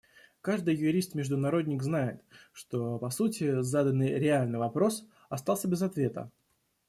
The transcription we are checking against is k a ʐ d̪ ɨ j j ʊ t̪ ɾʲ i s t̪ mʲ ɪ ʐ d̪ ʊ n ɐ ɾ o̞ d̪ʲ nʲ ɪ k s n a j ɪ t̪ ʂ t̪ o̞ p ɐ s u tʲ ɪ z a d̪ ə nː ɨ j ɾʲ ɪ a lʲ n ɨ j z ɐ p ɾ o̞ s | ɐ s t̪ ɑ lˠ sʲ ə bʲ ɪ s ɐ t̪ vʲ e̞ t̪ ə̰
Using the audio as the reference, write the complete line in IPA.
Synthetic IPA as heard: k a ʐ d̪ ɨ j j ʊ ɾʲ i s t̪ mʲ ɪ ʐ d̪ ʊ n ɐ ɾ o̞ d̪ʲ nʲ ɪ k z n a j ɪ t̪ ʂ t̪ o̞ p ɐ s u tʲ ɪ z a d̪ ə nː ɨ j ɾʲ ɪ a lʲ n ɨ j v ɐ p ɾ o̞ s | ɐ s t̪ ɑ lˠ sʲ ə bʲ ɪ z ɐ t̪ vʲ e̞ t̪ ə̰

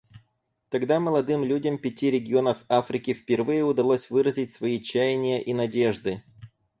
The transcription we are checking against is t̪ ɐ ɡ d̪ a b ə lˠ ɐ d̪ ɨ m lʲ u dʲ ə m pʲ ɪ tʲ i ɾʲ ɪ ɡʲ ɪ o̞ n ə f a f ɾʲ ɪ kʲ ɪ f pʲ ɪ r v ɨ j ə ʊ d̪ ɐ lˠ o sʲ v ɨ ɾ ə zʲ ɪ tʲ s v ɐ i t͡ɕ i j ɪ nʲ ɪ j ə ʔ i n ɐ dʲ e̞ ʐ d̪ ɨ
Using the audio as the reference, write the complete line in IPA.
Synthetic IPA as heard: t̪ ɐ ɡ d̪ a m ə lˠ ɐ d̪ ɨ m lʲ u dʲ ə m pʲ ɪ tʲ i ɾʲ ɪ ɡʲ ɪ o̞ n ə f a f ɾʲ ɪ kʲ ɪ f pʲ ɪ r v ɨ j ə ʊ d̪ ɐ lˠ o sʲ v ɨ ɾ ə zʲ ɪ tʲ s v ɐ i t͡ɕ æ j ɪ nʲ ɪ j ə ʔ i n ɐ dʲ e̞ ʐ d̪ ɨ

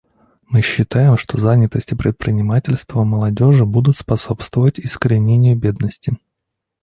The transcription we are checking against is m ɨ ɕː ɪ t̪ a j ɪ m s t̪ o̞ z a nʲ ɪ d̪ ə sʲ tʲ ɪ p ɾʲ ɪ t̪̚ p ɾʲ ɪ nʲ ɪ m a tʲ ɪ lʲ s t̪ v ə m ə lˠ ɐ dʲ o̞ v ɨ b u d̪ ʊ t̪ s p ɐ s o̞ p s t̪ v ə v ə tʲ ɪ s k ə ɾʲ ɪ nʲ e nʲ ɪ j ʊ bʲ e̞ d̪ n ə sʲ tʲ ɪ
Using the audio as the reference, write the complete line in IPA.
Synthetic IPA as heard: m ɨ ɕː ɪ t̪ a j ɪ m ʂ t̪ o̞ z a nʲ ɪ t̪ ə sʲ tʲ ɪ p ɾʲ ɪ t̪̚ p ɾʲ ɪ nʲ ɪ m a tʲ ɪ lʲ s t̪ v ə m ə lˠ ɐ dʲ o̞ ʐ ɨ b u d̪ ʊ t̪ s p ɐ s o̞ p s t̪ v ə v ə tʲ ɪ s k ə ɾʲ ɪ nʲ e nʲ ɪ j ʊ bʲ e̞ d̪ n ə sʲ tʲ ɪ

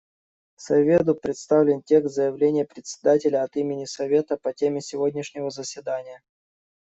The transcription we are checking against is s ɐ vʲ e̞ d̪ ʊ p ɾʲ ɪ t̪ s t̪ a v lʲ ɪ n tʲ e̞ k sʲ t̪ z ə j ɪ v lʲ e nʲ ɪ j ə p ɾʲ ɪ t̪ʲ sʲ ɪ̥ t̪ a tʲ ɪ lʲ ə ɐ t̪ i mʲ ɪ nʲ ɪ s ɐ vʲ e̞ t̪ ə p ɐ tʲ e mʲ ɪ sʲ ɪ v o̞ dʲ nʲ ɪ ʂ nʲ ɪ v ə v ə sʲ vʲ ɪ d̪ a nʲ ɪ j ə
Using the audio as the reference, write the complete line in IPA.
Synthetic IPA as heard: s ɐ vʲ e̞ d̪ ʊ p ɾʲ ɪ t̪ s t̪ a v lʲ ɪ n tʲ e̞ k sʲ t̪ z ə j ɪ v lʲ e nʲ ɪ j ə p ɾʲ ɪ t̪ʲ sʲ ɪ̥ d̪ a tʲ ɪ lʲ ə ɐ t̪ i mʲ ɪ nʲ ɪ s ɐ vʲ e̞ t̪ ə p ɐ tʲ e mʲ ɪ sʲ ɪ v o̞ dʲ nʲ ɪ ʂ nʲ ɪ v ə z ə sʲ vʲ ɪ d̪ a nʲ ɪ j ə

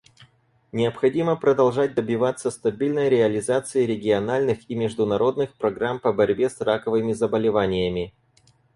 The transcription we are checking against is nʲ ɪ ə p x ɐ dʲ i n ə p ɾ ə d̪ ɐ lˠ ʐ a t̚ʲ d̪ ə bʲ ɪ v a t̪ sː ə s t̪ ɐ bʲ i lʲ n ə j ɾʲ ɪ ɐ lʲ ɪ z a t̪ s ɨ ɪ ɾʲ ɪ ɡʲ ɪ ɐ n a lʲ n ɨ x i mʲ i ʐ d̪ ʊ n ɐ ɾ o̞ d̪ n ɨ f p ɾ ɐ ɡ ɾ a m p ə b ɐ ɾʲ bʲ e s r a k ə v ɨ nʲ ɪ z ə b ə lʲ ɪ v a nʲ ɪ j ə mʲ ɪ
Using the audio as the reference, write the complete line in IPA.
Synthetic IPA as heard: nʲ ɪ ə p x ɐ dʲ i m ə p ɾ ə d̪ ɐ lˠ ʐ a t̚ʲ d̪ ə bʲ ɪ v a t̪ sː ə s t̪ ɐ bʲ i lʲ n ə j ɾʲ ɪ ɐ lʲ ɪ z a t̪ s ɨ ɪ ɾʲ ɪ ɡʲ ɪ ɐ n a lʲ n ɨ x i mʲ ɪ ʐ d̪ ʊ n ɐ ɾ o̞ d̪ n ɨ x p ɾ ɐ ɡ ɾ a m p ə b ɐ ɾʲ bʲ e s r a k ə v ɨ mʲ ɪ z ə b ə lʲ ɪ v a nʲ ɪ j ə mʲ ɪ

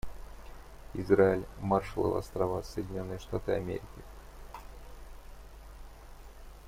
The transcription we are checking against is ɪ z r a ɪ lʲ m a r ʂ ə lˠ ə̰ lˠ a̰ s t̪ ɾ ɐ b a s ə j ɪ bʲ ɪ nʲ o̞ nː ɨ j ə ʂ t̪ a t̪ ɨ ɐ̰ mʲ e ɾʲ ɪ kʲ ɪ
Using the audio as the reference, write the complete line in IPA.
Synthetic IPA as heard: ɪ z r a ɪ lʲ m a r ʂ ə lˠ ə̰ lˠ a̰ s t̪ ɾ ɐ v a s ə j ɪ dʲ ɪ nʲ o̞ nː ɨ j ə ʂ t̪ a t̪ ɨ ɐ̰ mʲ e ɾʲ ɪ kʲ ɪ

